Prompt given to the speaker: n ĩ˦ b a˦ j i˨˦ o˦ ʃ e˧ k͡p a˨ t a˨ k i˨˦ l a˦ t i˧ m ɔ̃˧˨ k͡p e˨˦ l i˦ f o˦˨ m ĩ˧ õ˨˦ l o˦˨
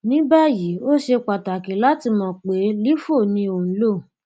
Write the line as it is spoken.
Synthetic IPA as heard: n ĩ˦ b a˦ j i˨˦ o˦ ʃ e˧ k͡p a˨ t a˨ k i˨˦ l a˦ t i˧ m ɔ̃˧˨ k͡p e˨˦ l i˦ f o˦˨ n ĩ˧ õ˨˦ l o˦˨